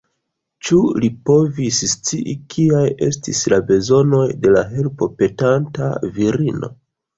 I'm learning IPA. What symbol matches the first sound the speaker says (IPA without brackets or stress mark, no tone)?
t͡ʃ